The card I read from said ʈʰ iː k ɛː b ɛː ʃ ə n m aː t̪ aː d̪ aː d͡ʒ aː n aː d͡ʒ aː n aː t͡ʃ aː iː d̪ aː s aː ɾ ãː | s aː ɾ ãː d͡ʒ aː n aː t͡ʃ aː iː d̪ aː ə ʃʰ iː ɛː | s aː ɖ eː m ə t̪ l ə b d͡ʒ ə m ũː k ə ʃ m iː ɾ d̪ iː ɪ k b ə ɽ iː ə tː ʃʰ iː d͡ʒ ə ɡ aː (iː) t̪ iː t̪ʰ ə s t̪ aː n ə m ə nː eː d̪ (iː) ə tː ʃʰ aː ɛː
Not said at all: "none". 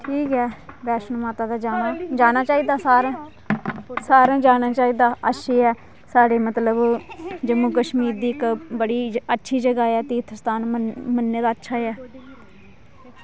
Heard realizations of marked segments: ɛː, aː

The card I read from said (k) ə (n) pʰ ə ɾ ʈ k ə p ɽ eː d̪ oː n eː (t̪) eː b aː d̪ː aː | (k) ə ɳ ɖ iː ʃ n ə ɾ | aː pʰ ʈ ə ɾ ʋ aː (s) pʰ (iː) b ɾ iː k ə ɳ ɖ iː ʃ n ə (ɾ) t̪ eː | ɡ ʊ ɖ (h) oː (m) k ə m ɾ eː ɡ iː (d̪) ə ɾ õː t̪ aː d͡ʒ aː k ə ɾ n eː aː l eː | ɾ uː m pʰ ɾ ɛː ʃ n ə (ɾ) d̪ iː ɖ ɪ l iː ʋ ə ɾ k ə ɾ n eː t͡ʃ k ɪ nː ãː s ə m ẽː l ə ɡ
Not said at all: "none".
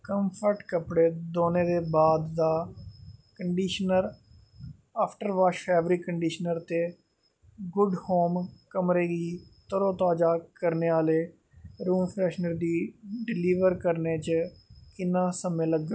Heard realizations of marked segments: k, m, d̪, k, ʃ, ɛː, ɾ, h, m, t̪, ɾ

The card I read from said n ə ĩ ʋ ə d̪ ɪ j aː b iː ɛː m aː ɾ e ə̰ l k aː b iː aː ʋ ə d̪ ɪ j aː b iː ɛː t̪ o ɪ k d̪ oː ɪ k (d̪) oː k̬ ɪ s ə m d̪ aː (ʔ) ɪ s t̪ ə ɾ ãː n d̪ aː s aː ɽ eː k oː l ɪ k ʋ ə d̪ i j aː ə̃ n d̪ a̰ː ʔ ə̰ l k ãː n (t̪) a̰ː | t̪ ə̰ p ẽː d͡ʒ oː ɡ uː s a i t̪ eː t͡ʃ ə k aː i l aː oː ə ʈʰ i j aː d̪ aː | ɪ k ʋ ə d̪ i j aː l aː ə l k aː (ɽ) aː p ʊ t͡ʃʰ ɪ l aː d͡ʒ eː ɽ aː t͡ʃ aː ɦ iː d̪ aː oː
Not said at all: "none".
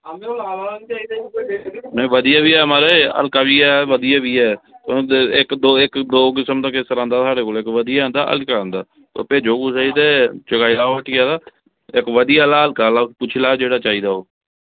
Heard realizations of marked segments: d̪, k, d̪, l

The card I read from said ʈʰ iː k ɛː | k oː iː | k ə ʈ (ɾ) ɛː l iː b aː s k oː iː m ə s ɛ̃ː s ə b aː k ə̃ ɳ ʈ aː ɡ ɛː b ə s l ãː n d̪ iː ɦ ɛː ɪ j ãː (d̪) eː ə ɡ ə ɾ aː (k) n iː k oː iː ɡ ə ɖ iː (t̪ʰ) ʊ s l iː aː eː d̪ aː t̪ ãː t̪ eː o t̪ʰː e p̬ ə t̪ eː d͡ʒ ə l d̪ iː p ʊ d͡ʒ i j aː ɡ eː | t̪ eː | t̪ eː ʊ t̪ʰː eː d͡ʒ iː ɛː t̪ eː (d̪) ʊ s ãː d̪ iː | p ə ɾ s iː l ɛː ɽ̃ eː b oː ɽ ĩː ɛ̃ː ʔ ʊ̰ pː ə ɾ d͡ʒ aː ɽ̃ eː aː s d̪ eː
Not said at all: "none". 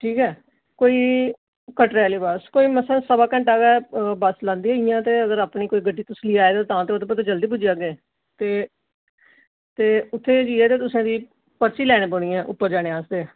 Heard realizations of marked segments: ɾ, t̪, p, t̪, t̪

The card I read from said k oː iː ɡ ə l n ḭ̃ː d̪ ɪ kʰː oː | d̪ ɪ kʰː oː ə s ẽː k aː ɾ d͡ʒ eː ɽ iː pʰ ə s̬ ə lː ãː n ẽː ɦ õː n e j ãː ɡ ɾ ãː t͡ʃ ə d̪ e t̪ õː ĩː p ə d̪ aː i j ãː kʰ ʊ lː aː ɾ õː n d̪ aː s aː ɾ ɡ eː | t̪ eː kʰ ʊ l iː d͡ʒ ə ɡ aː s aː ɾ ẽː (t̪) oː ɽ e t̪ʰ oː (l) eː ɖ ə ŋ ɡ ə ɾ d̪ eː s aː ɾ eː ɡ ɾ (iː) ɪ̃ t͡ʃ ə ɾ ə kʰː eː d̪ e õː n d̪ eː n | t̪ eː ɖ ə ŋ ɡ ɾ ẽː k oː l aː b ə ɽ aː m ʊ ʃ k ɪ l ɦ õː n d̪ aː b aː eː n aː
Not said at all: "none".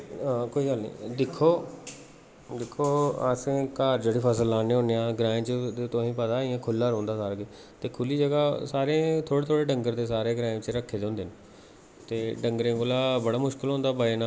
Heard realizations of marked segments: t̪ʰ, ɽ, aː

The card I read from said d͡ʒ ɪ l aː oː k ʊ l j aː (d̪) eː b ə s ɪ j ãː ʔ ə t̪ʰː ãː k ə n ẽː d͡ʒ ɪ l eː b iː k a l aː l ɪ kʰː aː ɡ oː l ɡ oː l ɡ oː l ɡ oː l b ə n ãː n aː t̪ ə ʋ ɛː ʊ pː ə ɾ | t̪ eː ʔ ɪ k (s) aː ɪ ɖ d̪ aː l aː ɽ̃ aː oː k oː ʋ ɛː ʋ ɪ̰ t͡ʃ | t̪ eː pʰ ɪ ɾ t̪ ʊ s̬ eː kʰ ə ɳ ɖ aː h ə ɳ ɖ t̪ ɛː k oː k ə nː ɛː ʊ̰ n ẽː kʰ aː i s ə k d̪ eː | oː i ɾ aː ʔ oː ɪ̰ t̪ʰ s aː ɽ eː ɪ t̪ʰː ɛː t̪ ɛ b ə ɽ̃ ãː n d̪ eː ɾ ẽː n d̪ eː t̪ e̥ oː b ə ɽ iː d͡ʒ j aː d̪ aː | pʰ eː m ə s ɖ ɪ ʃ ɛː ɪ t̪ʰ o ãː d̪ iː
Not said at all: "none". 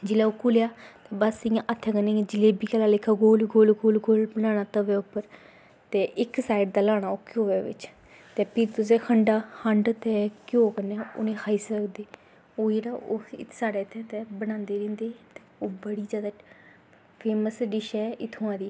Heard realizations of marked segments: t̪, s

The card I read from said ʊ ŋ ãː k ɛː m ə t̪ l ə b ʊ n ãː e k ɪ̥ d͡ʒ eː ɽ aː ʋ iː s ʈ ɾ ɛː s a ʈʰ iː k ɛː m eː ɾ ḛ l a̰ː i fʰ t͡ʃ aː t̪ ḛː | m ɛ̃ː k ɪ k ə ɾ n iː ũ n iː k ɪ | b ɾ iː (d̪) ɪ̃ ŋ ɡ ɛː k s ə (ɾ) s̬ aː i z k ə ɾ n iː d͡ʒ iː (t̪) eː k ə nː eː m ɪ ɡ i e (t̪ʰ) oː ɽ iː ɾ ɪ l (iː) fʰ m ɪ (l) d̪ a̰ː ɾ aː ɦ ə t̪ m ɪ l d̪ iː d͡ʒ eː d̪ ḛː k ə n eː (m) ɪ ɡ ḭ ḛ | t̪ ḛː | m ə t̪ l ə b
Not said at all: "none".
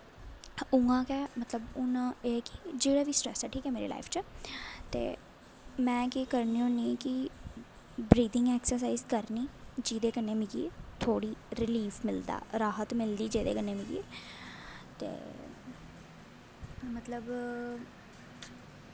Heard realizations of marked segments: d̪, ɾ, d̪, t̪ʰ, iː, l, m

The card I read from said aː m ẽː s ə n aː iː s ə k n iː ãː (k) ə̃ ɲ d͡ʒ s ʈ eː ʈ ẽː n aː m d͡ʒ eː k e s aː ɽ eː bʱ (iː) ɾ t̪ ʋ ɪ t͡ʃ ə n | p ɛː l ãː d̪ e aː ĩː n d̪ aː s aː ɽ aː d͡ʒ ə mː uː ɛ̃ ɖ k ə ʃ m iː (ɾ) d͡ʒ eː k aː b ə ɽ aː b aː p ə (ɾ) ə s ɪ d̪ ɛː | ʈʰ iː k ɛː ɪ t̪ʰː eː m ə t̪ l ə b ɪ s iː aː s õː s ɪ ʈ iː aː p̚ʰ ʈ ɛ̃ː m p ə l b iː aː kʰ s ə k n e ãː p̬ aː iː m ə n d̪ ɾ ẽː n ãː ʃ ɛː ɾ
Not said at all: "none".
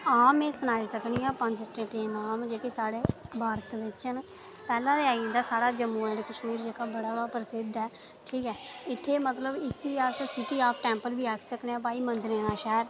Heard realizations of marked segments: p, aː, ɾ, ɾ

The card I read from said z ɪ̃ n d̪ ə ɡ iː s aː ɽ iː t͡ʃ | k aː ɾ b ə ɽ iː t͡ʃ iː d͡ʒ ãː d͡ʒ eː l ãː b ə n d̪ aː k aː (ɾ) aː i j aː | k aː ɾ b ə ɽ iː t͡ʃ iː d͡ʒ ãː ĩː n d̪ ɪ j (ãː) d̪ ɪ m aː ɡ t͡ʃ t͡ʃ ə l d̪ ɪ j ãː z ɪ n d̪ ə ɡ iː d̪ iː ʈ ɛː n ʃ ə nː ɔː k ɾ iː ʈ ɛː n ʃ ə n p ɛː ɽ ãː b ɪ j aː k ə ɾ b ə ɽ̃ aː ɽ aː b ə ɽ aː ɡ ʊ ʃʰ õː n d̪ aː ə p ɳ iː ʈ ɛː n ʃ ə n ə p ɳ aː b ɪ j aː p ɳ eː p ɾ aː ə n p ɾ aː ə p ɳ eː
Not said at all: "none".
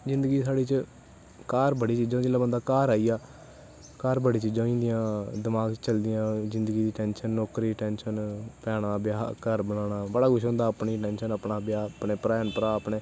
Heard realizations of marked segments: ɾ, ãː

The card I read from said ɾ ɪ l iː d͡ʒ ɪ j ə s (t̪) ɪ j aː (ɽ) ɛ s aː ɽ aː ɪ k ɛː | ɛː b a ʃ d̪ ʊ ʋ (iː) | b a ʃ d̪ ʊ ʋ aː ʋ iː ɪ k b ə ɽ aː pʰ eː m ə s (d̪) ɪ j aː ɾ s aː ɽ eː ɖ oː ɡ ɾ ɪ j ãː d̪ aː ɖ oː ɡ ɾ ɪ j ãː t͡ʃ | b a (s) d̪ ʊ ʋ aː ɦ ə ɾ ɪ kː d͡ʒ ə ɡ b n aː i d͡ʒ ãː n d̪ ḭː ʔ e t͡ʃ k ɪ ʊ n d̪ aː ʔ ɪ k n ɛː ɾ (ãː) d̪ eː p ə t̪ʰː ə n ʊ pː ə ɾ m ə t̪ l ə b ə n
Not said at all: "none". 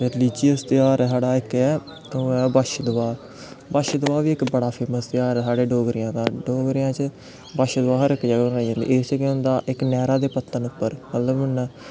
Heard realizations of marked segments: t̪, ɾ, aː, t̪, ʃ, aː

